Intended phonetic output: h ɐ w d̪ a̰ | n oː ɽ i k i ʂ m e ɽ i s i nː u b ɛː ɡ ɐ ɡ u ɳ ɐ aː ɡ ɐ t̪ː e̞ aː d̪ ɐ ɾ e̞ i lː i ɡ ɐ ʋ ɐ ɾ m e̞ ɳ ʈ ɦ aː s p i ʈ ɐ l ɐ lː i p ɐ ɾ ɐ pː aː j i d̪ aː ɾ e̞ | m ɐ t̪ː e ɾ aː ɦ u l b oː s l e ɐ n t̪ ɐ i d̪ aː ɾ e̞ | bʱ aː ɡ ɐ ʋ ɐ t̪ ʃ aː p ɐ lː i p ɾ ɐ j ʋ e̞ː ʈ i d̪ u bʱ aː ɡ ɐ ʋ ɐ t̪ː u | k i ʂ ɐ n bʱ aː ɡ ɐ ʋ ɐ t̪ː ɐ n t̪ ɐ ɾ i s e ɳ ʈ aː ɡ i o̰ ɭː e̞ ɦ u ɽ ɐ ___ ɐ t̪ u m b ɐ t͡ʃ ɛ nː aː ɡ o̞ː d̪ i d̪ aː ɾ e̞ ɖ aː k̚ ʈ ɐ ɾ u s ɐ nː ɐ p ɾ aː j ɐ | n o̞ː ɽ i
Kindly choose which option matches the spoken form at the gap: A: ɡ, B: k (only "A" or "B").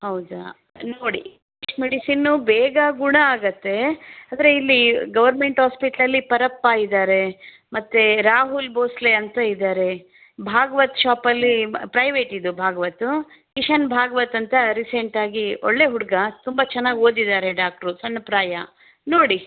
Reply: A